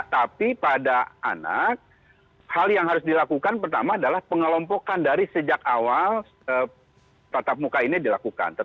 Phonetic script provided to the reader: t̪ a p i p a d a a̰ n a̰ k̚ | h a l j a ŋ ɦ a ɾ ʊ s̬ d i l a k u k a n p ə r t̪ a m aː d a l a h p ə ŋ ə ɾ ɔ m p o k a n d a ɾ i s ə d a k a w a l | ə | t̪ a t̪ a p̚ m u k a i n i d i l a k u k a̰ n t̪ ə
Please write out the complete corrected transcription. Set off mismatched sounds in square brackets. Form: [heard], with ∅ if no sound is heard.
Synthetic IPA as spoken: t̪ a p i p a d a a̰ n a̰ k̚ | h a l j a ŋ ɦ a ɾ ʊ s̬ d i l a k u k a n p ə r t̪ a m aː d a l a h p ə ŋ ə [l] ɔ m p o k a n d a ɾ i s ə [d͡ʒ] a k a w a l | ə | t̪ a t̪ a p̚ m u k a i n i d i l a k u k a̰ n t̪ ə

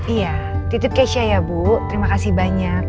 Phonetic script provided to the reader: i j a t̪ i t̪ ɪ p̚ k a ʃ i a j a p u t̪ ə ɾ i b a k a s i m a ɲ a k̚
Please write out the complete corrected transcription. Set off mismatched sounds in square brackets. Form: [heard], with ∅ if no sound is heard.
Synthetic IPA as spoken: i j a t̪ i t̪ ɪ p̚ k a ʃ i a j a [b] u t̪ ə ɾ i [m] a k a s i [b] a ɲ a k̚

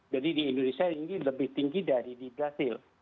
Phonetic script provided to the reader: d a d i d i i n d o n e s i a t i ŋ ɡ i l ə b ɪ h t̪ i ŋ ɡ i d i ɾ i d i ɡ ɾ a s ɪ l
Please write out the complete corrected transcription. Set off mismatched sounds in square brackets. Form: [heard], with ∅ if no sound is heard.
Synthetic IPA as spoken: [d͡ʒ] a d i d i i n d o n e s i a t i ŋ ɡ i l ə b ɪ h t̪ i ŋ ɡ i d [a] ɾ i d i [b] ɾ a s ɪ l

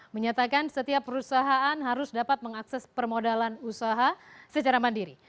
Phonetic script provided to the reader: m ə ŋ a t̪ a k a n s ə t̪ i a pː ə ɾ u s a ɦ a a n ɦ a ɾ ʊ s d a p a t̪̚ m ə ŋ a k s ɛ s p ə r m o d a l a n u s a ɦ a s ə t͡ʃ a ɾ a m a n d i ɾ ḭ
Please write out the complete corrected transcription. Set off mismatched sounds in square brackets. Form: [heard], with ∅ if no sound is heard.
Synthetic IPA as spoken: m ə [ɲ] a t̪ a k a n s ə t̪ i a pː ə ɾ u s a ɦ a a n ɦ a ɾ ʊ s d a p a t̪̚ m ə ŋ a k s ɛ s p ə r m o d a l a n u s a ɦ a s ə t͡ʃ a ɾ a m a n d i ɾ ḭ

